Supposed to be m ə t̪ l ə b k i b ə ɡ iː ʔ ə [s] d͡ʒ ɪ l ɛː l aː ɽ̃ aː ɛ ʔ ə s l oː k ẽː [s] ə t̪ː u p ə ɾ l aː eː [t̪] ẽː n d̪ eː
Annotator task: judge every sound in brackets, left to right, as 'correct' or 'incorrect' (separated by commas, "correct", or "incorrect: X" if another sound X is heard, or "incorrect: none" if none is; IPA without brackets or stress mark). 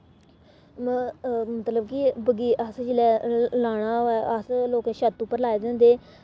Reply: correct, incorrect: ʃ, incorrect: d̪